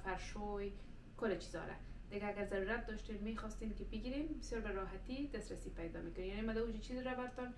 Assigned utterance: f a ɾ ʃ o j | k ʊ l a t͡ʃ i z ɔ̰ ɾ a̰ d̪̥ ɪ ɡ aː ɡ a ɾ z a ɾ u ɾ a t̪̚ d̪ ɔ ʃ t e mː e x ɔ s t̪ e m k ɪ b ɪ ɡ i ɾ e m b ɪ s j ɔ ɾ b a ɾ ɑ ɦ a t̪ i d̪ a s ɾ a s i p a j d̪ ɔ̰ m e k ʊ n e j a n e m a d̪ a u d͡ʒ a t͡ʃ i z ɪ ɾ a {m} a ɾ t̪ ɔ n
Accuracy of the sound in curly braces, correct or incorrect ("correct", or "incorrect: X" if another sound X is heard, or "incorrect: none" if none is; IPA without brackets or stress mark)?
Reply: incorrect: b